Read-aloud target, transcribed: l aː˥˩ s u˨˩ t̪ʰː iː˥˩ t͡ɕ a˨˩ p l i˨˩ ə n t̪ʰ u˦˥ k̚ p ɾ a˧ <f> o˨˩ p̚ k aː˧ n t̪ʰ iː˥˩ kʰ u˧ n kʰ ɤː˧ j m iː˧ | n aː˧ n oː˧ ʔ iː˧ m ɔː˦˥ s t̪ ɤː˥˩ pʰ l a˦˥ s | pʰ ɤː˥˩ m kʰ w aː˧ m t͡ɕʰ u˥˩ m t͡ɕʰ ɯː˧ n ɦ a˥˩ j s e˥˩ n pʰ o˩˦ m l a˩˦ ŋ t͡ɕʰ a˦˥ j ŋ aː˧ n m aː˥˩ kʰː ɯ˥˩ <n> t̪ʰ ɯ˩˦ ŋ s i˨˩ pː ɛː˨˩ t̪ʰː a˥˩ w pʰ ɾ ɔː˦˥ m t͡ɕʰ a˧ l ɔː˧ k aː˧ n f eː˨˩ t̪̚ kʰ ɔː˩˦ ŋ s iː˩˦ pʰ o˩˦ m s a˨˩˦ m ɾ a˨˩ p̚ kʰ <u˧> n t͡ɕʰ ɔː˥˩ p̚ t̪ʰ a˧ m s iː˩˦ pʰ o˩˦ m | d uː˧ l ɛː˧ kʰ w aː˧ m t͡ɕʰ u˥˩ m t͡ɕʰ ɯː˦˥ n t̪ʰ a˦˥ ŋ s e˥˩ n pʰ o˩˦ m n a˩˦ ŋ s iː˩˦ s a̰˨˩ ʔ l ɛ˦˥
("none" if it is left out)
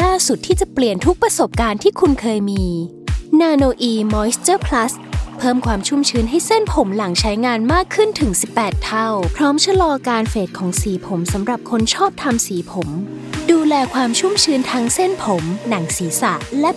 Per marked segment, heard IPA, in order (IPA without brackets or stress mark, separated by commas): s, n, o˧